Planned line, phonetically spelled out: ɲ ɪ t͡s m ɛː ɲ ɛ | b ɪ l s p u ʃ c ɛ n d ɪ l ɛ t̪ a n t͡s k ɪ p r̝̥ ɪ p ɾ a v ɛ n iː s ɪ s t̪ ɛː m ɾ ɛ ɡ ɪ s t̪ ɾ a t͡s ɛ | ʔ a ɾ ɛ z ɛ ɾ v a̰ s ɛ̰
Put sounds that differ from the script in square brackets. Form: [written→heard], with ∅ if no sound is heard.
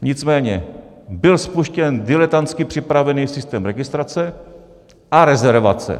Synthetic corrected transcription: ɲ ɪ t͡s m ɛː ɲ ɛ | b ɪ l s p u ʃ c ɛ n d ɪ l ɛ t̪ a n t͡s k ɪ p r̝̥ ɪ p ɾ a v ɛ n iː s ɪ s t̪ ɛː m ɾ ɛ ɡ ɪ s t̪ ɾ a t͡s ɛ | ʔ a ɾ ɛ z ɛ ɾ v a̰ [s→t͡s] ɛ̰